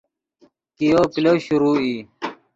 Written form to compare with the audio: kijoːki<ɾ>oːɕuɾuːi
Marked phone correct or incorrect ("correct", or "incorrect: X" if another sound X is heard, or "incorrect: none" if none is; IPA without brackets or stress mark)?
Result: incorrect: l